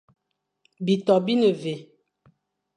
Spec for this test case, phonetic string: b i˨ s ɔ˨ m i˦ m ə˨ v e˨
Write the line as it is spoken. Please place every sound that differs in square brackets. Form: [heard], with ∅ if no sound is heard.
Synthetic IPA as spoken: b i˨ [t] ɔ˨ [b] i˦ [n] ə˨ v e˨